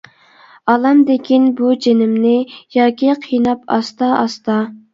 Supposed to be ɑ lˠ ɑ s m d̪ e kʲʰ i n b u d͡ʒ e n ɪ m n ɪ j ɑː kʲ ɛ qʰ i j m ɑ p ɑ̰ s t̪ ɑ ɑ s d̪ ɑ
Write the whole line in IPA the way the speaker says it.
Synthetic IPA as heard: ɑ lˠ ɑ m d̪ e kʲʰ i n b u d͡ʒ e n ɪ m n ɪ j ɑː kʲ i qʰ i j n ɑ p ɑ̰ s t̪ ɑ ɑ s t̪ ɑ

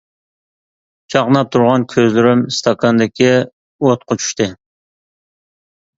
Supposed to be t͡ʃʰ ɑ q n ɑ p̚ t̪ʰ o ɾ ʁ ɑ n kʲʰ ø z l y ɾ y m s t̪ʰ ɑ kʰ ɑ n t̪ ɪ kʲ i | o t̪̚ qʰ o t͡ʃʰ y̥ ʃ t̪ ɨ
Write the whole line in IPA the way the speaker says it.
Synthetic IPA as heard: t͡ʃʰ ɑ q n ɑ p̚ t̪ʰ u ɾ ʁ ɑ n kʲʰ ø z l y ɾ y m s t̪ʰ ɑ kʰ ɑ n d̪ ɪ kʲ i | o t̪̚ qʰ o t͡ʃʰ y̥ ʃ t̪ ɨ

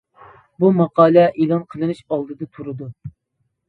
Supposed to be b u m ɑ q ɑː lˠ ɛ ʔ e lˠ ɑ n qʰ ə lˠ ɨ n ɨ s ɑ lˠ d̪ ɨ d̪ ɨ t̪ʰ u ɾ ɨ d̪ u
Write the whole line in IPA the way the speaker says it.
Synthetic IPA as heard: b u m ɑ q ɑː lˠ ɛ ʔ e lˠ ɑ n qʰ ə lˠ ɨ n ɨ ʃ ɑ lˠ d̪ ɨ d̪ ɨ t̪ʰ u ɾ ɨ d̪ u

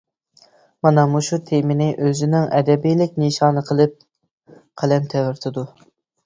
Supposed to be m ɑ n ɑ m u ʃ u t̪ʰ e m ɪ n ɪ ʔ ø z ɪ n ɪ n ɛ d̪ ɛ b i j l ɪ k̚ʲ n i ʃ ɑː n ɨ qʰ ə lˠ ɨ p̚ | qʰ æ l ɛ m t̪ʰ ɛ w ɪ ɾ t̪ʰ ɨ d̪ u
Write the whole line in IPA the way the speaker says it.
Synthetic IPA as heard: m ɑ n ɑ m u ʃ u t̪ʰ e m ɪ n ɪ ʔ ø z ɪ n ɪ ŋ ɛ d̪ ɛ b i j l ɪ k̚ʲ n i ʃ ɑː n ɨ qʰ ə lˠ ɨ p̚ | qʰ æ l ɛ n t̪ʰ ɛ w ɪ ɾ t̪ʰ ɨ d̪ u

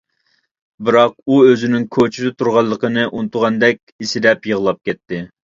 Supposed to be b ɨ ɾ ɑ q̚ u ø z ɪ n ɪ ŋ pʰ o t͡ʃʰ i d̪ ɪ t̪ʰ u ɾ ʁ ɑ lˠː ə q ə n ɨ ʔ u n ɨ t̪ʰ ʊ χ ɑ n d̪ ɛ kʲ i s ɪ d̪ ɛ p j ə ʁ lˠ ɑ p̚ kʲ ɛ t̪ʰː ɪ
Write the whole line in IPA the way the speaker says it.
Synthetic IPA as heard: b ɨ ɾ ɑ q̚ u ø z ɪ n ɪ ŋ kʰ o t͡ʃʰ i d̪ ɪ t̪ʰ u ɾ ʁ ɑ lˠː ə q ə n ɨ ʔ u n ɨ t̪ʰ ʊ ʁ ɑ n d̪ ɛ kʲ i s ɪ d̪ ɛ p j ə ʁ lˠ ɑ p̚ kʲ ɛ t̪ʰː ɪ

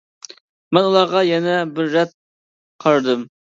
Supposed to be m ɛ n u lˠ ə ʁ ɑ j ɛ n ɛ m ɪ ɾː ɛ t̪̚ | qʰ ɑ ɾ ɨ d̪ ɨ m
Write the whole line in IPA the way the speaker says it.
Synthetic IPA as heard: m ɛ n u lˠ ɑ ʁ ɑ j ɛ n ɛ b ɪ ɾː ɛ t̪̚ | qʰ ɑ ɾ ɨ d̪ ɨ m

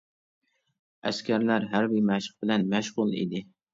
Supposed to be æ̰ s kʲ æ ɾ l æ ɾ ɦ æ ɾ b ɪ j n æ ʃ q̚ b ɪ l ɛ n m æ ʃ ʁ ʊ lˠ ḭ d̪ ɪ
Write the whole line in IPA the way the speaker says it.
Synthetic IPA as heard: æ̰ s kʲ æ ɾ l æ ɾ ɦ æ ɾ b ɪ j m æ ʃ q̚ b ɪ l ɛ n m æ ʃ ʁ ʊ lˠ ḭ d̪ ɪ

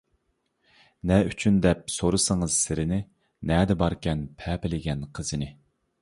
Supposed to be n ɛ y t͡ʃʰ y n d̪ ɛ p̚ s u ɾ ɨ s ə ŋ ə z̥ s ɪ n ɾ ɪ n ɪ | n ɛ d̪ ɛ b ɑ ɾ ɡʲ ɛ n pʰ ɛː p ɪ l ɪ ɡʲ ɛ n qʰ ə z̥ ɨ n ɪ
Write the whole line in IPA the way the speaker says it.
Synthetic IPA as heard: n ɛ y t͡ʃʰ y n d̪ ɛ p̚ s o ɾ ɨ s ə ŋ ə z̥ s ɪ ɾ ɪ n ɪ | n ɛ d̪ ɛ b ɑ ɾ kʲ ɛ n pʰ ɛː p ɪ l ɪ ɡʲ ɛ n qʰ ə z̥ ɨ n ɪ

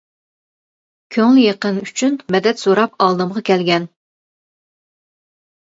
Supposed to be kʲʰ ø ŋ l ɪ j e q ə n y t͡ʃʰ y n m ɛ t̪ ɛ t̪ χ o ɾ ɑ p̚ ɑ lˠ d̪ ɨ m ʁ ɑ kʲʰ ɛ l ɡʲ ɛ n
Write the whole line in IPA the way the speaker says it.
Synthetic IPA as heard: kʲʰ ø ŋ l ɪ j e q ə n y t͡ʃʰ y n m ɛ d̪ ɛ t̪ s o ɾ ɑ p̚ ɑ lˠ d̪ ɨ m ʁ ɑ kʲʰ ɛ l ɡʲ ɛ n

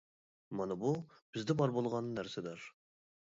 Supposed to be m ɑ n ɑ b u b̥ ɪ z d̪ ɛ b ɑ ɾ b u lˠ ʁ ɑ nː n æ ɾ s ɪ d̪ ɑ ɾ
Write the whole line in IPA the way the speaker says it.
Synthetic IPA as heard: m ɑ n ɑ b u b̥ ɪ z d̪ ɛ b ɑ ɾ b o lˠ ʁ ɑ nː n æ ɾ s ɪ d̪ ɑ ɾ

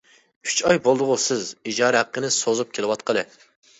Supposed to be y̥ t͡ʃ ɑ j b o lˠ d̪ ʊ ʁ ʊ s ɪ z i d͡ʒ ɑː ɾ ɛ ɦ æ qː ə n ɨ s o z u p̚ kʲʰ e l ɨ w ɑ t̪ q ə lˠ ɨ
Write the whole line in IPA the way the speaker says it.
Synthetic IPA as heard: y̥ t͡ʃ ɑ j b o lˠ d̪ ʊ ʁ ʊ s ɪ z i d͡ʒ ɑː ɾ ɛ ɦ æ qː ə n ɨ s o z u p̚ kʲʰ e l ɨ w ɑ t̪ q ə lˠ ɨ

